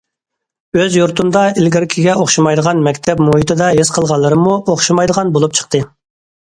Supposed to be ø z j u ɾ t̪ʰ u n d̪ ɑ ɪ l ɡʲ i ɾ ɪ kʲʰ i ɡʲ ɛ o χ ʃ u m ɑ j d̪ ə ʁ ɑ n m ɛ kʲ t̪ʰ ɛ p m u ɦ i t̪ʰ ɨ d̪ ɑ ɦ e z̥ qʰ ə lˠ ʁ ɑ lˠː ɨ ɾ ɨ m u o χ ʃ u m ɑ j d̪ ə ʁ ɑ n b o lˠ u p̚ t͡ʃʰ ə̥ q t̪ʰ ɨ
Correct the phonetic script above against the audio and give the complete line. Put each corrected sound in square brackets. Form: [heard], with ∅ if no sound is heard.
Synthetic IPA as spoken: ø z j u ɾ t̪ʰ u n d̪ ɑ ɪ l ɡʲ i ɾ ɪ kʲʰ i ɡʲ ɛ o χ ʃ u m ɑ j d̪ ə ʁ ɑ n m ɛ kʲ t̪ʰ ɛ p m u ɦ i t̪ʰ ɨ d̪ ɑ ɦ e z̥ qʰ ə lˠ ʁ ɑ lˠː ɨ ɾ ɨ m u o χ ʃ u m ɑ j d̪ ə ʁ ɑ n b o lˠ u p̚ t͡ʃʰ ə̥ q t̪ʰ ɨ